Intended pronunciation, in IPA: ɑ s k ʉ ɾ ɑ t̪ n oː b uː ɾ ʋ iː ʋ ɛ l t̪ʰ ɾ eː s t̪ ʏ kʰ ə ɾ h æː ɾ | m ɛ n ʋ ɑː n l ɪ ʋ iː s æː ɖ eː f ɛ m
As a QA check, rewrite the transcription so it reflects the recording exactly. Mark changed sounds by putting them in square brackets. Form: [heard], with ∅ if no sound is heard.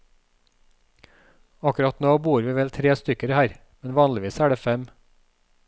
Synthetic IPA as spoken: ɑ [∅] k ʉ ɾ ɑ t̪ n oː b uː ɾ ʋ iː ʋ ɛ l t̪ʰ ɾ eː s t̪ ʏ [k] ə ɾ h æː ɾ | m ɛ n ʋ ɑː n l ɪ ʋ iː s æː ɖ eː f ɛ m